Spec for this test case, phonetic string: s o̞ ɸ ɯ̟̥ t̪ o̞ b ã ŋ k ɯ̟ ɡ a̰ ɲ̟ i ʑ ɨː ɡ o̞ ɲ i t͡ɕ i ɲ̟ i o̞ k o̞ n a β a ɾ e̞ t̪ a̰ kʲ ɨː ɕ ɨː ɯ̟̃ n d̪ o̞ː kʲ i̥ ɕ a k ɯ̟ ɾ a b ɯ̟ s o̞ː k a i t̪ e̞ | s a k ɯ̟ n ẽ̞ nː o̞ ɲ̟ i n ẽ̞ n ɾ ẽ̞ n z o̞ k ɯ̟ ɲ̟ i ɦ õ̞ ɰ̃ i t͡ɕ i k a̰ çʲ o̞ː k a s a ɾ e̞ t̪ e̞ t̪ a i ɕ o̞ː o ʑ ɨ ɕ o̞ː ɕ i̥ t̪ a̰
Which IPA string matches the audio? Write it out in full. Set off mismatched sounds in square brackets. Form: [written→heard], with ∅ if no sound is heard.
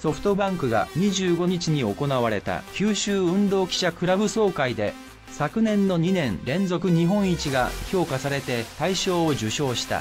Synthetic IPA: s o̞ ɸ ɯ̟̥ t̪ o̞ b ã ŋ k ɯ̟ ɡ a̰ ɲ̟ i ʑ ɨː ɡ o̞ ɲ i t͡ɕ i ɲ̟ i o̞ k o̞ n a β a ɾ e̞ t̪ a̰ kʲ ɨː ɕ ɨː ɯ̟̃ n d̪ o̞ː kʲ i̥ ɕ a k ɯ̟ ɾ a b ɯ̟ s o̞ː k a i [t̪→d̪] e̞ | s a k ɯ̟ n ẽ̞ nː o̞ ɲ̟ i n ẽ̞ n ɾ ẽ̞ n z o̞ k ɯ̟ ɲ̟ i ɦ õ̞ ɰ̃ i t͡ɕ i [k→ɡ] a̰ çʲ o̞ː k a s a ɾ e̞ t̪ e̞ t̪ a i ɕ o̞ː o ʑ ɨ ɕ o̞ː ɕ i̥ t̪ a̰